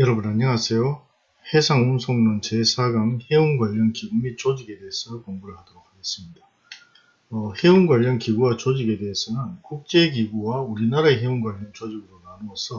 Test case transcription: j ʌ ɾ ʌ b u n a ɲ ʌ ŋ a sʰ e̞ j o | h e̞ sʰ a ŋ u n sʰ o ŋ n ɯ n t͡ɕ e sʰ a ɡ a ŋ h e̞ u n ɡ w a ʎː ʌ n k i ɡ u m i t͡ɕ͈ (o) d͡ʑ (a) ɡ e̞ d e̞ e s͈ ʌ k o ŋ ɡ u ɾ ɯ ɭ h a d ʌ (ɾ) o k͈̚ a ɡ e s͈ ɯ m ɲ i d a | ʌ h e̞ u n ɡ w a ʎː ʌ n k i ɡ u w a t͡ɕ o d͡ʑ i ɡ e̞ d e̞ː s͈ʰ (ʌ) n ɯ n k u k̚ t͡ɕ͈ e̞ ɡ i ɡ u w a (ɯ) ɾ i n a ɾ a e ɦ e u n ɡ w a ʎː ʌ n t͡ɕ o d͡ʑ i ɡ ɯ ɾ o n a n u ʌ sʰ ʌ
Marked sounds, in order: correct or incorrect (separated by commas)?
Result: correct, incorrect, correct, correct, incorrect